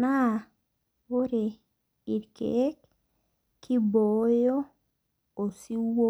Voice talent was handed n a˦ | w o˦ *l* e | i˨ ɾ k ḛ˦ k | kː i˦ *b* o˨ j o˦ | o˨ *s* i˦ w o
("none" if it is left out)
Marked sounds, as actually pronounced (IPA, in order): ɾ, b, s

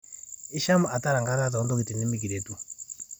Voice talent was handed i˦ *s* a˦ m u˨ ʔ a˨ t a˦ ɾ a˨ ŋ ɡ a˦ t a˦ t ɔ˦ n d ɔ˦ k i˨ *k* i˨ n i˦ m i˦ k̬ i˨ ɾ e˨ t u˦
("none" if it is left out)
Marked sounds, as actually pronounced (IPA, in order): ʃ, t

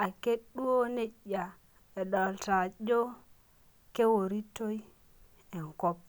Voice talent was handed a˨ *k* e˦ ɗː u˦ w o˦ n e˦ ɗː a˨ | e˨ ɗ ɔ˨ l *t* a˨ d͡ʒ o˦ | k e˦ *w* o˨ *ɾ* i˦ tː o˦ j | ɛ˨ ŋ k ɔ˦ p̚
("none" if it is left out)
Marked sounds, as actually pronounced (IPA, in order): k, t, w, ɾ

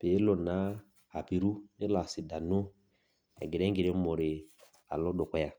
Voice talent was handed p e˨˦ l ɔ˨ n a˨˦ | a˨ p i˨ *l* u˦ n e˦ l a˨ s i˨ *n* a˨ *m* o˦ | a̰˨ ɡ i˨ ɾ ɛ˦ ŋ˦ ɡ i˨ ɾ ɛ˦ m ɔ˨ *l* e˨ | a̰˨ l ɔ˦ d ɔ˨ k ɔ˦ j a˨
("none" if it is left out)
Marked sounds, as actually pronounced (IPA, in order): ɾ, d, n, ɾ

